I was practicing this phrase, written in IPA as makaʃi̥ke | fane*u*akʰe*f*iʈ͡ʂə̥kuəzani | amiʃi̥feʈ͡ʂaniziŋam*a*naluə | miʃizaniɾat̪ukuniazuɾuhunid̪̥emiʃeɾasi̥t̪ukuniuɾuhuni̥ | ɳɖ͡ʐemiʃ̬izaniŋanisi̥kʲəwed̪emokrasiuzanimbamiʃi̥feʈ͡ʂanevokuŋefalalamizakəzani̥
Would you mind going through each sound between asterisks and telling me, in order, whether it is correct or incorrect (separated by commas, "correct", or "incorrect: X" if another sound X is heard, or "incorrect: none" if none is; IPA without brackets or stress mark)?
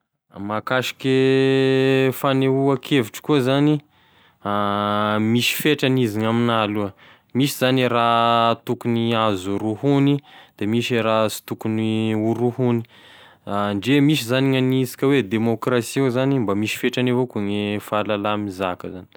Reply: correct, incorrect: v, incorrect: i